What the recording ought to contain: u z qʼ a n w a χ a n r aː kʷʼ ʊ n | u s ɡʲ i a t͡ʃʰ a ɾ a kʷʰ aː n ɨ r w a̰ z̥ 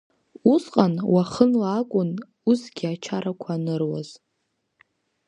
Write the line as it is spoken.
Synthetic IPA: u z qʼ a n w a χ ə n l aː kʷʼ ʊ n | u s ɡʲ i a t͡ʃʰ a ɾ a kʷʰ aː n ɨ r w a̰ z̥